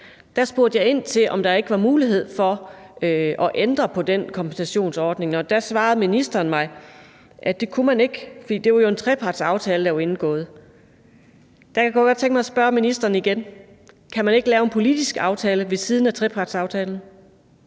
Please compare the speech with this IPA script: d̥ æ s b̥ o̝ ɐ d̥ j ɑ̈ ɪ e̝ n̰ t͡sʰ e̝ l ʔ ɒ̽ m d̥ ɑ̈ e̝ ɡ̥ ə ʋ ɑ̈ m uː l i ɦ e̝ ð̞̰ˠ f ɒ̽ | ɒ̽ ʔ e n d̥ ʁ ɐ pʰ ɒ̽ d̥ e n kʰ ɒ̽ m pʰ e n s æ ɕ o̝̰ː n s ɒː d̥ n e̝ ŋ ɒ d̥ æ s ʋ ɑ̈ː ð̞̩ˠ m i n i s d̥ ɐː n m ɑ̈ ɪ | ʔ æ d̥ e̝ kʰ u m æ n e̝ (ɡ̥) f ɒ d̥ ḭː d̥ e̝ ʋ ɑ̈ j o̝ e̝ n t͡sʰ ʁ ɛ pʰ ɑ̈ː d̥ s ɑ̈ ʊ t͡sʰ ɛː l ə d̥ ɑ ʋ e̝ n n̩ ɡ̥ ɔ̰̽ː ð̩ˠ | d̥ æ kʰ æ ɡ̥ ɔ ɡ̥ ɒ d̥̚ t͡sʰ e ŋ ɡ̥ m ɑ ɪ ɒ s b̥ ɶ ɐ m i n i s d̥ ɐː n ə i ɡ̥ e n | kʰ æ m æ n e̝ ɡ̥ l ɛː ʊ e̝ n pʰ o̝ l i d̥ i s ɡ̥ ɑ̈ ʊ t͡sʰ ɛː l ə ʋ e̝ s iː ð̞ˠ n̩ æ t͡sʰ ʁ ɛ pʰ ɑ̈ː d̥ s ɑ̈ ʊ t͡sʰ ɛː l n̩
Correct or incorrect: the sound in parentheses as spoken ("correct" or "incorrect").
correct